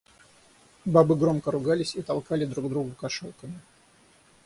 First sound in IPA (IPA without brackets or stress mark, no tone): b